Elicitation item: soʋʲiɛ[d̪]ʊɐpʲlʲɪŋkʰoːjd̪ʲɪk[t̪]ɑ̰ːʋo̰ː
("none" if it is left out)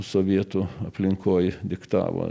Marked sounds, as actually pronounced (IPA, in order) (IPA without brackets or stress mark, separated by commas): t̪, t̪